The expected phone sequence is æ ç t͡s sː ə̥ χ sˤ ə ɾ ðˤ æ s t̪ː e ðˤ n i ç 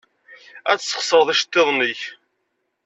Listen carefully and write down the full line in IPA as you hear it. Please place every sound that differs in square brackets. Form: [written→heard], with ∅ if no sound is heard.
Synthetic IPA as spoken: æ [ç→∅] t͡s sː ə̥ χ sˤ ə ɾ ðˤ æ [s→ʃ] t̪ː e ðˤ n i ç